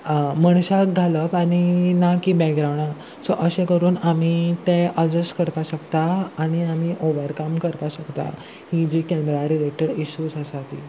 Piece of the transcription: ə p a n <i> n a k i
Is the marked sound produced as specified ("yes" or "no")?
yes